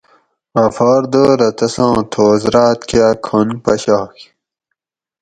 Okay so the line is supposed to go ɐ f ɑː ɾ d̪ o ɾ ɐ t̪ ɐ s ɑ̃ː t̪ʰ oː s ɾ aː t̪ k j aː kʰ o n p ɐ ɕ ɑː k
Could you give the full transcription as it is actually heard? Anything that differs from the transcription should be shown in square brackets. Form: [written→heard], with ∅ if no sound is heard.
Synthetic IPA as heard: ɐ f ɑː ɾ d̪ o ɾ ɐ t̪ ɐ s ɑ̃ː t̪ʰ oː [s→z] ɾ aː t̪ k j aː kʰ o n p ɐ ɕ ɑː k